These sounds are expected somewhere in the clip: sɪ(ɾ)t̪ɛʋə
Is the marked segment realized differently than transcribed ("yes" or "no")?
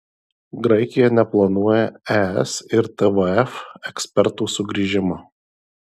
no